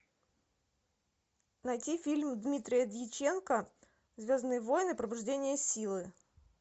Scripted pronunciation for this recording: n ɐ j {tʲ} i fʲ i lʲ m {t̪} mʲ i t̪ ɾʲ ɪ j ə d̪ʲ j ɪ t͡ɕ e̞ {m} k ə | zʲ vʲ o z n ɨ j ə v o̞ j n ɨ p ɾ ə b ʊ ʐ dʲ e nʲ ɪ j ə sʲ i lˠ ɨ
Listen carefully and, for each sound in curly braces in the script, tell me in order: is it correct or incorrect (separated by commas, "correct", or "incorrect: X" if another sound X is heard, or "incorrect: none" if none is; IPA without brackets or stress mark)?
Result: correct, incorrect: d̪, incorrect: n